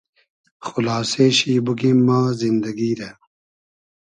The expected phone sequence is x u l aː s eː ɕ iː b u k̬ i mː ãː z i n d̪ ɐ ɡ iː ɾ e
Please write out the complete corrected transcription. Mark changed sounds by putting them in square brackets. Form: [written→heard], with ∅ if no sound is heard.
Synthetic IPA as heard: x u l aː s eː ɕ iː b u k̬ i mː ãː z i n d̪ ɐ ɡ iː ɾ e